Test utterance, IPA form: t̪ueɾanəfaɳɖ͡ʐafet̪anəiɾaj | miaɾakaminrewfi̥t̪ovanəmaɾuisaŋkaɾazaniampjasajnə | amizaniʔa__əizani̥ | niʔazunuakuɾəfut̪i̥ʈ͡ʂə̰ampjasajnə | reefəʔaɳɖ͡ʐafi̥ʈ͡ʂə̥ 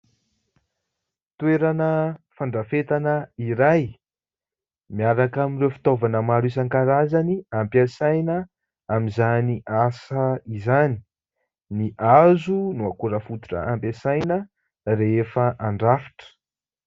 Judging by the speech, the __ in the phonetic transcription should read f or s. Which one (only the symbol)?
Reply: s